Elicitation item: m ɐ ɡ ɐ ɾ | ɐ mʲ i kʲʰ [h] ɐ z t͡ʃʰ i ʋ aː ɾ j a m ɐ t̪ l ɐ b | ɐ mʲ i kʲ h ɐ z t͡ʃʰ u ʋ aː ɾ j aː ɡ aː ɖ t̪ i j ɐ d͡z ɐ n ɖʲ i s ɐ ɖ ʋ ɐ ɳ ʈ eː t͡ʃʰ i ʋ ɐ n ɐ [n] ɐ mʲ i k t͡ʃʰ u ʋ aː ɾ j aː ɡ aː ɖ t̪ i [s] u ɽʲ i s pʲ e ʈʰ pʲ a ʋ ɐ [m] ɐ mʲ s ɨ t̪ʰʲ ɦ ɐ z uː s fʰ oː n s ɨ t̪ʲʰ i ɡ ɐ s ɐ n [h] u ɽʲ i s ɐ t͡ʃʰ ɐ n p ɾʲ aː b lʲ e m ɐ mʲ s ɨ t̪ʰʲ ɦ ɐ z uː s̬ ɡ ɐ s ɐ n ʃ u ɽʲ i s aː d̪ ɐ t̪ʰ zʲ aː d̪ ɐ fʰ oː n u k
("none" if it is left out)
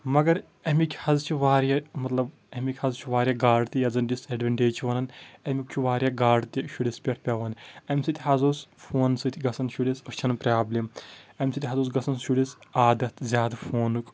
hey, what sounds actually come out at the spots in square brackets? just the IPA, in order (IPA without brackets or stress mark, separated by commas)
h, n, ʃ, n, ʃ